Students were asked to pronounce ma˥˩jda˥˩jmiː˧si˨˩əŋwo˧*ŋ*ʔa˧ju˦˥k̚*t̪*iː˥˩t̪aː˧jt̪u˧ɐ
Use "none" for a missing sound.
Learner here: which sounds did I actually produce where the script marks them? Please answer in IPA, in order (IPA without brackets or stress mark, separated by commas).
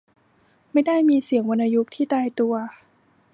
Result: n, t̪ʰ